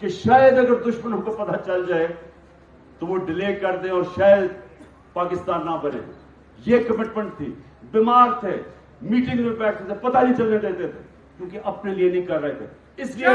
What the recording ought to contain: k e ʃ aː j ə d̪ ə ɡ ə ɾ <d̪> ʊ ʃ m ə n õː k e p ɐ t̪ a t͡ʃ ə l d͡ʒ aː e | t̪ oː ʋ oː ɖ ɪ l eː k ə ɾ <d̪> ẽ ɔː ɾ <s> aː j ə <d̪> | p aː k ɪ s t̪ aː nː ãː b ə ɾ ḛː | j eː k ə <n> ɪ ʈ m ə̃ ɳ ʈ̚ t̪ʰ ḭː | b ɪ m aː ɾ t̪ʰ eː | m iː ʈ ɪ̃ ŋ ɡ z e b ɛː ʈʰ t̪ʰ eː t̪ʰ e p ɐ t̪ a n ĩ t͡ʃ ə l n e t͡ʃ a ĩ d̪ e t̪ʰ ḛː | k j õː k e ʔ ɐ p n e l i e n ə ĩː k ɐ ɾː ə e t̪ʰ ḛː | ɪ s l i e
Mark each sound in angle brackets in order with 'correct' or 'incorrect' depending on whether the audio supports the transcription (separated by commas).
correct, correct, incorrect, correct, incorrect